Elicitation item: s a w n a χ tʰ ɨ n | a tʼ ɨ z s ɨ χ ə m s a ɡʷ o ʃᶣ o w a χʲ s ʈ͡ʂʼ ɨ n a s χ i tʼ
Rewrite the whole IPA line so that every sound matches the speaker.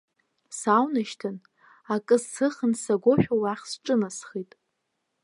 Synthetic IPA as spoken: s a w n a ʃ tʰ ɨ n | a kʼ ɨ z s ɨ χ ə n s a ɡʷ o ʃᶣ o w a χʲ s ʈ͡ʂʼ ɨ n a s χ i tʼ

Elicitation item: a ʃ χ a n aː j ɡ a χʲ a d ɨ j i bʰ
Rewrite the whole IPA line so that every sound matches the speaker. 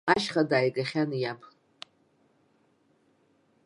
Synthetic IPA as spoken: a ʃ χ a d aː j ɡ a χʲ a n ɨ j a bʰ

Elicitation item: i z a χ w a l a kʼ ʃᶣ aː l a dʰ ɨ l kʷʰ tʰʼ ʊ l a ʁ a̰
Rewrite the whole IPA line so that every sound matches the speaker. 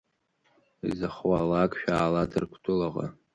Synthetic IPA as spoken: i z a χ w a l a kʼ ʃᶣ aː l a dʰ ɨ r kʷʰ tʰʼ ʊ l a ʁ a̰

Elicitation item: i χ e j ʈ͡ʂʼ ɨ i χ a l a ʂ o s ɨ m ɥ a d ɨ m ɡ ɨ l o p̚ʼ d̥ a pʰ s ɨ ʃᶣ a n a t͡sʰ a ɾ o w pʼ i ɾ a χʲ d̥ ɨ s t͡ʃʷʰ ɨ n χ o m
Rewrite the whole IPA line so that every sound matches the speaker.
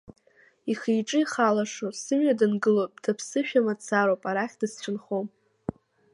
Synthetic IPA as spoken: i χ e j ʈ͡ʂʼ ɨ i χ a l a ʂ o s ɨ m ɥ a d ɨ n ɡ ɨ l o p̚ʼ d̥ a pʰ s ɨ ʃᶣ a m a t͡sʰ a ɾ o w pʼ a ɾ a χʲ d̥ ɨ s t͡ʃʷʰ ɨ n χ o m

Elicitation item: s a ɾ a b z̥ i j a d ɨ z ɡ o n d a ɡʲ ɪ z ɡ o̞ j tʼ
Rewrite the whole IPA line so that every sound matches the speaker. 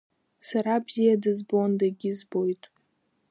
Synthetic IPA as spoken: s a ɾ a b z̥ i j a d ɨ z b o n d a ɡʲ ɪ z b o̞ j tʼ

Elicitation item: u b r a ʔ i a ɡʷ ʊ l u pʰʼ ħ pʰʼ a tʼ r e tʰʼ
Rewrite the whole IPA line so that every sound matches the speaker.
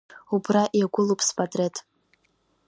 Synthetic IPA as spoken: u b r a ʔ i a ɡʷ ʊ l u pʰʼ s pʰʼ a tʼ r e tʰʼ

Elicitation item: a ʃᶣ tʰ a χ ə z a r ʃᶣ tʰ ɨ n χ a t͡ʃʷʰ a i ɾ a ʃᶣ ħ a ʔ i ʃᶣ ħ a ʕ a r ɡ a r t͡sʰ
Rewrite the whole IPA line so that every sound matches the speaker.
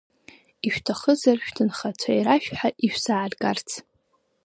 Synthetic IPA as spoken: i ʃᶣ tʰ a χ ə z a r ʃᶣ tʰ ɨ n χ a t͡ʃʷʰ a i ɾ a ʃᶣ ħ a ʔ i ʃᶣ s a ʕ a r ɡ a r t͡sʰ

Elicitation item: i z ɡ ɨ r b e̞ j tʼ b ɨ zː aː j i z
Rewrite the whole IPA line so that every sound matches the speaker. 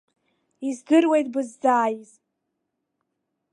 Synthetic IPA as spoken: i z ɡ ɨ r w e̞ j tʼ b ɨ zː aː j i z

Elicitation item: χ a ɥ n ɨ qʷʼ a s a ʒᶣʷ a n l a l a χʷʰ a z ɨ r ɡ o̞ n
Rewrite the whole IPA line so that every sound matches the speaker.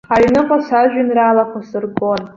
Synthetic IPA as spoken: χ a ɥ n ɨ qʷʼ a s a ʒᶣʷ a n r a l a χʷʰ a s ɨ r ɡ o̞ n

